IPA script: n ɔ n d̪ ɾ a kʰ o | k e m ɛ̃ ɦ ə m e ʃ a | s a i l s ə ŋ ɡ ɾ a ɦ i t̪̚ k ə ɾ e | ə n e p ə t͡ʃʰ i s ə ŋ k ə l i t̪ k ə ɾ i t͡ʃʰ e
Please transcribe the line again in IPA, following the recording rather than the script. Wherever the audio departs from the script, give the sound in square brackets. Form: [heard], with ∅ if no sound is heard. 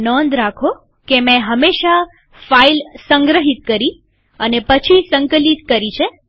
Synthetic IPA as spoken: n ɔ n d̪ ɾ a kʰ o | k e m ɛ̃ ɦ ə m e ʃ a | [f] a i l s ə ŋ ɡ ɾ [ə] ɦ i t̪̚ k ə ɾ [i] | ə n e p ə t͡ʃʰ i s ə ŋ k ə l i t̪ k ə ɾ i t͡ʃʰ e